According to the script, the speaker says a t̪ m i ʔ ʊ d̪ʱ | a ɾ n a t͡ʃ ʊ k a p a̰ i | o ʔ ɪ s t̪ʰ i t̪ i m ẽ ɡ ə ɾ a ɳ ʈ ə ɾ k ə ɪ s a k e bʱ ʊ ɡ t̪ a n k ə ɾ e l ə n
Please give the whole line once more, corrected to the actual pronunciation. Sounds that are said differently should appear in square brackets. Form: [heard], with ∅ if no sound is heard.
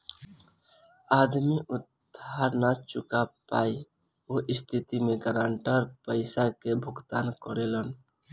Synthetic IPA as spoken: a [d̪] m i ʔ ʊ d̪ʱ | a ɾ n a t͡ʃ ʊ k a p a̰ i | o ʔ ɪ s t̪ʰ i t̪ i m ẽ ɡ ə ɾ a ɳ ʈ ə ɾ [p] ə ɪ s a k e bʱ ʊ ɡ t̪ a n k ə ɾ e l ə n